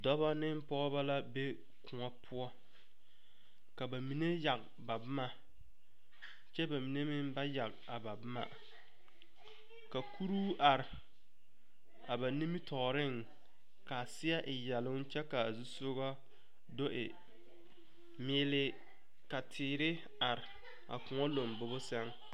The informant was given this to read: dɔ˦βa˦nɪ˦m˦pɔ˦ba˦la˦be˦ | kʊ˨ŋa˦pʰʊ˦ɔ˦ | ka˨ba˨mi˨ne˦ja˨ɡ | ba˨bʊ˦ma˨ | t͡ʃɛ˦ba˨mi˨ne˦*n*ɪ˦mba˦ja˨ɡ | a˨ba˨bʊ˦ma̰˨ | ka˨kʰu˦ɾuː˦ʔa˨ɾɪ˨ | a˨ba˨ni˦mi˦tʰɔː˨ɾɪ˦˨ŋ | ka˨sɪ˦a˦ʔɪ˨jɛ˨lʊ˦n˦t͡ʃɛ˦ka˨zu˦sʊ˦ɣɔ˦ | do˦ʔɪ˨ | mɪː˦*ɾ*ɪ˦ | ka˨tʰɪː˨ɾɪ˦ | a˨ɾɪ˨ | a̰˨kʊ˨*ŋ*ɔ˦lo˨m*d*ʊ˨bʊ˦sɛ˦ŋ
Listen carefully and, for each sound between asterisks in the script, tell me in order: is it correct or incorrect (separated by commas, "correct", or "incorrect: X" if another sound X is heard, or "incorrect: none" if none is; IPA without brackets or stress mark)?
incorrect: m, incorrect: l, correct, incorrect: b